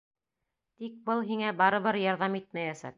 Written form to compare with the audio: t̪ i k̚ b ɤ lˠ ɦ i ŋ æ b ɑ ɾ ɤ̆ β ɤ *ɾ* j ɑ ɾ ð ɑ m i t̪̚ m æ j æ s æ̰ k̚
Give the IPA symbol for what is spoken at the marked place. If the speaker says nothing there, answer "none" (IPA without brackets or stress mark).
ɾ